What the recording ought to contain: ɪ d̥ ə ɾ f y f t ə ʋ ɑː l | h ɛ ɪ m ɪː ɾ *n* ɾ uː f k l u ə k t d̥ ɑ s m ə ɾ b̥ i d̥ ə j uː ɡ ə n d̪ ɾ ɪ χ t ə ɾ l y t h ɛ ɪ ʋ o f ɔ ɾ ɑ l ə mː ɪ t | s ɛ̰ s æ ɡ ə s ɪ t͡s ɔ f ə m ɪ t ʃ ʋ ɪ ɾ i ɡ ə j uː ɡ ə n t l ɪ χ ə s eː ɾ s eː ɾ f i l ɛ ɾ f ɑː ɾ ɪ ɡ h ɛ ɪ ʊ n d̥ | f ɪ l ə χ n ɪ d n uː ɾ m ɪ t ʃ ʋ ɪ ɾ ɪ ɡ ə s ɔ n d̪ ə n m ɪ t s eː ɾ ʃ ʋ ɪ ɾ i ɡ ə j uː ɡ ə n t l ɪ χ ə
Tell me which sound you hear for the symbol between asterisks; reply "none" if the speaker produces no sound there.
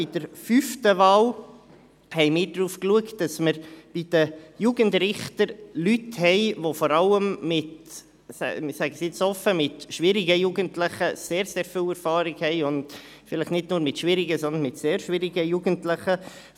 d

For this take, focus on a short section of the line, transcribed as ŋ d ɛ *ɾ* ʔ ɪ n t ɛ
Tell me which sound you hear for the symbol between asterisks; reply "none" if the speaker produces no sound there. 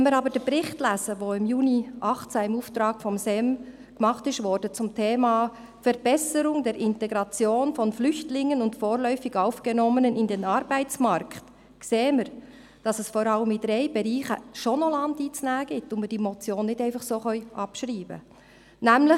ɾ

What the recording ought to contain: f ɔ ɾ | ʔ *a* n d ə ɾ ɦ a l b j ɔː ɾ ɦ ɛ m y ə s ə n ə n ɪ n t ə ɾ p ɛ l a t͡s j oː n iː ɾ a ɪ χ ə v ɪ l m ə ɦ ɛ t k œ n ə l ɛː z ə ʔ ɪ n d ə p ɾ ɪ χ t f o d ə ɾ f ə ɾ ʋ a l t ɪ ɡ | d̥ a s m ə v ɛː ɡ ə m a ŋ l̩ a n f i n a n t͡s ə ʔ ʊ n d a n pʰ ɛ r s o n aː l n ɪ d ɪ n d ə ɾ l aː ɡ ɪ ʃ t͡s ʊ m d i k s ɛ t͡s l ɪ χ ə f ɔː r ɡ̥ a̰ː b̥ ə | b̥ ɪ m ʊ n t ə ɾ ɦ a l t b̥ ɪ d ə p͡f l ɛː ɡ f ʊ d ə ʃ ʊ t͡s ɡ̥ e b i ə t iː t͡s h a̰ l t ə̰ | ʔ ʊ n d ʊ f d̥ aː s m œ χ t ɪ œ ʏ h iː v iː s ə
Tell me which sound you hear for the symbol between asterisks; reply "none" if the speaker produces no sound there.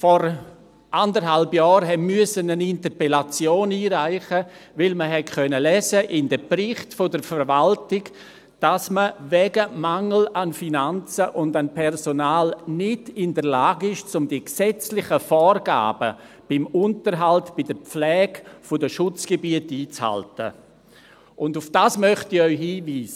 a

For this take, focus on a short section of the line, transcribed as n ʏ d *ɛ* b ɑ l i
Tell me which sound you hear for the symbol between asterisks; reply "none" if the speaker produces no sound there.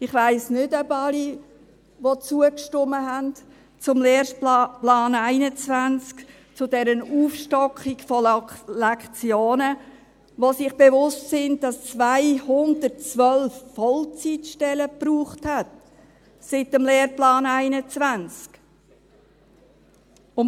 œ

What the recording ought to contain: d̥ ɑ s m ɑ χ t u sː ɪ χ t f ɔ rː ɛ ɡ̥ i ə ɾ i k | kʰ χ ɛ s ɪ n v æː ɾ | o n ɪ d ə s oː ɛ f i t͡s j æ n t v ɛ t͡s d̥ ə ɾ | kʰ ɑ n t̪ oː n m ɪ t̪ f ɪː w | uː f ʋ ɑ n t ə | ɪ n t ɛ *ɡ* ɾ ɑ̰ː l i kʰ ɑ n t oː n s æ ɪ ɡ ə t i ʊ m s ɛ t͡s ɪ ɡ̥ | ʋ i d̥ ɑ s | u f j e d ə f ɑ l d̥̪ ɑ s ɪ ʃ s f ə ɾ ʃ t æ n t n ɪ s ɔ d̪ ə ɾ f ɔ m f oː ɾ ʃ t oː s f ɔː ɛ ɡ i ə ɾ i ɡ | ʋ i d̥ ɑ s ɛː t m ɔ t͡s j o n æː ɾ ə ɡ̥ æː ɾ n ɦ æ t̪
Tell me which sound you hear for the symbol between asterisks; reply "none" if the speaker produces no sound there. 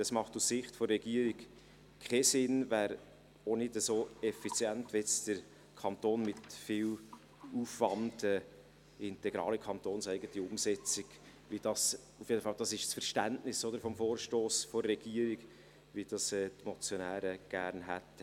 ɡ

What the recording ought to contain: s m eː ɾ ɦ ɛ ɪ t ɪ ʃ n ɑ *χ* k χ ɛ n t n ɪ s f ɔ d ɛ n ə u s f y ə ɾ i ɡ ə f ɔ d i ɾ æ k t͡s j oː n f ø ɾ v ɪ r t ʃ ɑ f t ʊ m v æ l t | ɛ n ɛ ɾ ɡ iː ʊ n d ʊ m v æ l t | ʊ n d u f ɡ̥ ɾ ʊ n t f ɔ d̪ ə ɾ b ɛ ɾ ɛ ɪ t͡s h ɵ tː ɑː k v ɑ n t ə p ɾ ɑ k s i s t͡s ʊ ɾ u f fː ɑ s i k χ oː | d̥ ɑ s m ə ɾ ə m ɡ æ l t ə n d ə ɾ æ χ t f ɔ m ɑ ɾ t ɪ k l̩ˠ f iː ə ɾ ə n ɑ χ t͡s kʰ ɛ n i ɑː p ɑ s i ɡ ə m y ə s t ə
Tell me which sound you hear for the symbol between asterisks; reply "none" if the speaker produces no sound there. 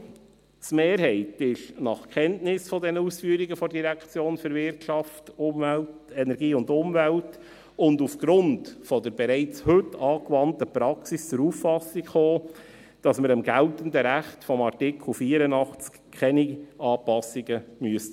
χ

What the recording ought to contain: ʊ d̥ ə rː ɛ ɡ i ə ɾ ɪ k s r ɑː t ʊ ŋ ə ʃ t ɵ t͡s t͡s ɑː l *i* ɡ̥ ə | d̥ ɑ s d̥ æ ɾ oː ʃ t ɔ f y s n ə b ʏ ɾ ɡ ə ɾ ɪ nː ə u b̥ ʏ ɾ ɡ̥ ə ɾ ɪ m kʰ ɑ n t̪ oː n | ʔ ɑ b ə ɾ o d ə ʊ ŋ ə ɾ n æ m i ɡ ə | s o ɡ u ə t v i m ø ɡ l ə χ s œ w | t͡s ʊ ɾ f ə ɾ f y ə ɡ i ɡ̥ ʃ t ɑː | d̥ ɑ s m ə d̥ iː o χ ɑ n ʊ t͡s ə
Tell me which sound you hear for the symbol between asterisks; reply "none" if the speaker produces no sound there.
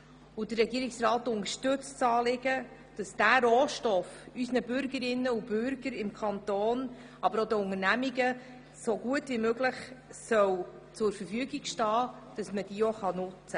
ɪ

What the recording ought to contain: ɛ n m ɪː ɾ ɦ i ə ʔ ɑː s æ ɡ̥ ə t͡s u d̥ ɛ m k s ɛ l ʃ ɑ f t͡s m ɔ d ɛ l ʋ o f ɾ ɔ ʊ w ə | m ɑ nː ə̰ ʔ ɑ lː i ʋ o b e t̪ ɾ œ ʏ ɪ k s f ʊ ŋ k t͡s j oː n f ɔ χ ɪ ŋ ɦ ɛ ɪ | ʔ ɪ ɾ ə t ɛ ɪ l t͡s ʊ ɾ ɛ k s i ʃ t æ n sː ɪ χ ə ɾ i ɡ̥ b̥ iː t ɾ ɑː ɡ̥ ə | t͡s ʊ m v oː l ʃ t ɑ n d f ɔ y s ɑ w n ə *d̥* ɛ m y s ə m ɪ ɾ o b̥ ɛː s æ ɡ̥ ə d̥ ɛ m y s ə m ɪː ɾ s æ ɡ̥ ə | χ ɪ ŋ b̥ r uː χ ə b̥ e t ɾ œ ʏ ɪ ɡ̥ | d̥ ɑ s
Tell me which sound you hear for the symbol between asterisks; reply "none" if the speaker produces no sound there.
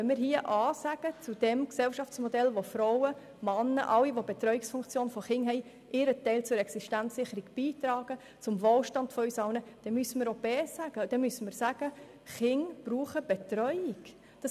d̥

